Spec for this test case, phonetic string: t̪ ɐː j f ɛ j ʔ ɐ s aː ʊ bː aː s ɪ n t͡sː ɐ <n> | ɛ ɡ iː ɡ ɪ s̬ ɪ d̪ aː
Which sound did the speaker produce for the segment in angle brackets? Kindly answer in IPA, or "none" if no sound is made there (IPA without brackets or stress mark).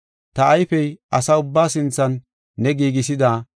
nː